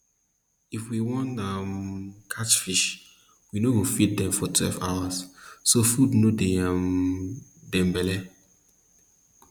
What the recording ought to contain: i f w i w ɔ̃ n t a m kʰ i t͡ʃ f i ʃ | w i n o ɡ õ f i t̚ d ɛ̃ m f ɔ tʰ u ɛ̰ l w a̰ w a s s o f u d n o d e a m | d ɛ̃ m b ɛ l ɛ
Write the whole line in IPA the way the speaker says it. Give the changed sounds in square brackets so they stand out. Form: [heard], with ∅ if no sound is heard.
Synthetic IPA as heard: i f w i w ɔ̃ n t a m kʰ [a] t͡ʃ f i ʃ | w i n o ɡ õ f i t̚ d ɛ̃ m f ɔ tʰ [w] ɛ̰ l [v] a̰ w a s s o f u d n o d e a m | d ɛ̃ m b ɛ l ɛ